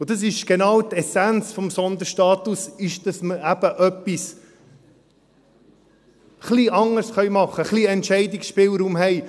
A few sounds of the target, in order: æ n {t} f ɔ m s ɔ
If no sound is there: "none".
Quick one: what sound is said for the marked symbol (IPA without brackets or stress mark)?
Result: t͡s